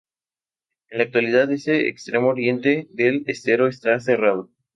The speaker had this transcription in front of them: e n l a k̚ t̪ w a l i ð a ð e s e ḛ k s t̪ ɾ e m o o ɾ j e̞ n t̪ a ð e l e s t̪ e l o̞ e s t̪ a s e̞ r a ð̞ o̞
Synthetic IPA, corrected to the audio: e n l a k̚ t̪ w a l i ð a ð e s e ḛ k s t̪ ɾ e m o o ɾ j e̞ n t̪ e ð e l e s t̪ e ɾ o̞ e s t̪ a s e̞ r a ð̞ o̞